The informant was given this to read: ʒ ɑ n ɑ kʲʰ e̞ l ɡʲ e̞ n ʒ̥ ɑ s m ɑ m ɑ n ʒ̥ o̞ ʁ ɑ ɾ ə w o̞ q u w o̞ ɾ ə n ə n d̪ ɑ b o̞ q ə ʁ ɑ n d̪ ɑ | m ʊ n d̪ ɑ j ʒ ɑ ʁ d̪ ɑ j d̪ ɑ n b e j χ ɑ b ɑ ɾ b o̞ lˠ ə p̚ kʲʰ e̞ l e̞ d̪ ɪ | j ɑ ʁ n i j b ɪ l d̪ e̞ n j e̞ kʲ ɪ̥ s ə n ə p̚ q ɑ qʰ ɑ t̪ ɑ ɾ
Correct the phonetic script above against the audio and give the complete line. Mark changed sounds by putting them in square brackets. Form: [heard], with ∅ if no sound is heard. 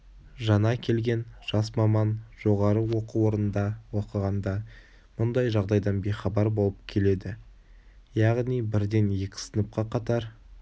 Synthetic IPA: ʒ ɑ n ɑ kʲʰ e̞ l ɡʲ e̞ n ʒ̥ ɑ s m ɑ m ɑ n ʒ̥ o̞ ʁ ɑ ɾ ə w o̞ q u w o̞ ɾ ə n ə n d̪ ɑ [w] o̞ q ə ʁ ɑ n d̪ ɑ | m ʊ n d̪ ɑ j ʒ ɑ ʁ d̪ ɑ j d̪ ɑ n b e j χ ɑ b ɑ ɾ b o̞ lˠ ə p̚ kʲʰ e̞ l e̞ d̪ ɪ | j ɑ ʁ n i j b ɪ [ɾ] d̪ e̞ n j e̞ kʲ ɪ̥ s ə n ə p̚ q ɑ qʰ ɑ t̪ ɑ ɾ